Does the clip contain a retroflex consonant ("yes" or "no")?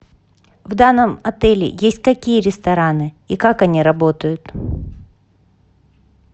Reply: no